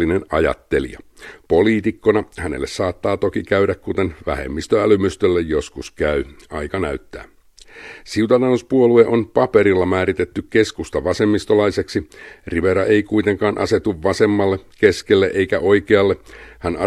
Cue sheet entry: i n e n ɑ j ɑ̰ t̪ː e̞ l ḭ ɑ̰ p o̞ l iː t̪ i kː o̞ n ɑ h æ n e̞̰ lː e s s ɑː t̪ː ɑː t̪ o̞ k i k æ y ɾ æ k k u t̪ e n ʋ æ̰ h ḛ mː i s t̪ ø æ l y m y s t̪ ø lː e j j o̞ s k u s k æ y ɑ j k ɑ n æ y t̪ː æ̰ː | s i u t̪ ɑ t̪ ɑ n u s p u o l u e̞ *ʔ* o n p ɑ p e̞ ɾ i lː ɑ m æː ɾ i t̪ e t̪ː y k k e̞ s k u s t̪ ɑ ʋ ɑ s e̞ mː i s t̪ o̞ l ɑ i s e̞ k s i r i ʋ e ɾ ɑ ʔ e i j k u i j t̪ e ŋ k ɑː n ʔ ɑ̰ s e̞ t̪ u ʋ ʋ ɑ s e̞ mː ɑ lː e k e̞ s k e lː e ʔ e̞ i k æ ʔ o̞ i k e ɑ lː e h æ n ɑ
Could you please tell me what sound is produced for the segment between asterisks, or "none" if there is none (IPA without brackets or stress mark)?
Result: ʔ